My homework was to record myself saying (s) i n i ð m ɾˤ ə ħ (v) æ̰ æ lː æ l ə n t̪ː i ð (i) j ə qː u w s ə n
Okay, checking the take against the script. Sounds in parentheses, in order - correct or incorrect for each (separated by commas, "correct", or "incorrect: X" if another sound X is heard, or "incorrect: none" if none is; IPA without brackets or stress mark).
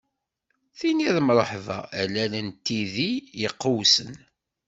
incorrect: θ, correct, correct